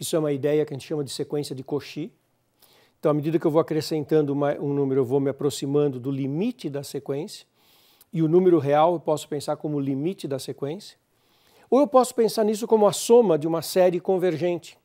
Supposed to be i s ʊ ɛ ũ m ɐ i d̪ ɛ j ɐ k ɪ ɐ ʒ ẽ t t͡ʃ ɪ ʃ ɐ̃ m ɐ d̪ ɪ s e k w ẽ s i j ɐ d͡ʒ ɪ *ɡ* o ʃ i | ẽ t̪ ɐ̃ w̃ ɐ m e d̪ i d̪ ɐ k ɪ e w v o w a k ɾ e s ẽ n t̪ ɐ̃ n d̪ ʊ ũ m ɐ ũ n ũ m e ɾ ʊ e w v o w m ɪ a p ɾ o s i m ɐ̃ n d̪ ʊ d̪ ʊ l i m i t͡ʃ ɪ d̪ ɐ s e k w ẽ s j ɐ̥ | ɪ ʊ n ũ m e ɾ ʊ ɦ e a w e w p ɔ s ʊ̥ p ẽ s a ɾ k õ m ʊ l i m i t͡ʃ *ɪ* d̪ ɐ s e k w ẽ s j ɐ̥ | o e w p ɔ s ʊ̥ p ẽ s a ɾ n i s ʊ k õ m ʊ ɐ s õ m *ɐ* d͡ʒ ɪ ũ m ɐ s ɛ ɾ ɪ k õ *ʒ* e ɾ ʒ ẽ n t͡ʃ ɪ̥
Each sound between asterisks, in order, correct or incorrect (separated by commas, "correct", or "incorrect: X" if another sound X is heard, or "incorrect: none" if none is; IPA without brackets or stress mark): incorrect: k, correct, correct, incorrect: v